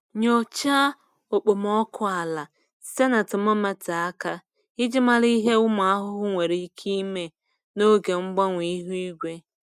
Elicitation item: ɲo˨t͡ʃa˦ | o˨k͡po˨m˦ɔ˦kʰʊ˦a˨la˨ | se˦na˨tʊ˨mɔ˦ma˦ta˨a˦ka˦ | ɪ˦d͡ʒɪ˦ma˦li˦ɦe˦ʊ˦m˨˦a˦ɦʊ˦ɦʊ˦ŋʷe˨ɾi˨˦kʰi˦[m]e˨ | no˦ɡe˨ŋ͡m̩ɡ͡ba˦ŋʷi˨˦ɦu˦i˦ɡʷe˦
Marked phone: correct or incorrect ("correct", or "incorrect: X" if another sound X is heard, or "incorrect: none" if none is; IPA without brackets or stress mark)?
correct